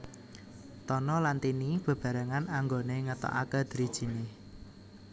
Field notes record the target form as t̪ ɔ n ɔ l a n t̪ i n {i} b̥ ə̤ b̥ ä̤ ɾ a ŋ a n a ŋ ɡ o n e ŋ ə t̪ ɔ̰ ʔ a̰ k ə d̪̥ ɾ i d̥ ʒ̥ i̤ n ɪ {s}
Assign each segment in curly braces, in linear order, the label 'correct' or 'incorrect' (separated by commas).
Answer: correct, incorrect